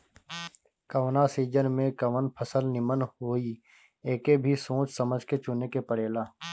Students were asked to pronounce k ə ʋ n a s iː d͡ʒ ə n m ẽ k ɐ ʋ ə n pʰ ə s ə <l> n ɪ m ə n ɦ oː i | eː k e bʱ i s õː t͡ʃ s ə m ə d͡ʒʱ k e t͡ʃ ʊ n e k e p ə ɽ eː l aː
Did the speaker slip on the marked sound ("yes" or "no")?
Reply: no